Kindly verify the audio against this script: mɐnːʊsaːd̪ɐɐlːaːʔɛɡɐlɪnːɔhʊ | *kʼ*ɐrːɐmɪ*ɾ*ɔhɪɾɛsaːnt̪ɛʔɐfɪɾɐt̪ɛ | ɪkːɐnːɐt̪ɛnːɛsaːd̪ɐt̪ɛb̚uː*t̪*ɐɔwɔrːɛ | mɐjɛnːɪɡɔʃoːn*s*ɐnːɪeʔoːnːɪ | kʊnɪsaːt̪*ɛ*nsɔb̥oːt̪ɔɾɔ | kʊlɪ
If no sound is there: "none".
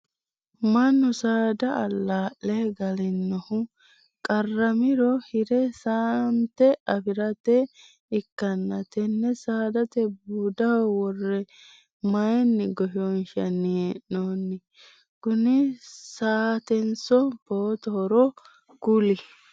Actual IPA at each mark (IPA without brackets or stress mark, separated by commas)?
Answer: kʼ, ɾ, d̪, ʃ, ɛ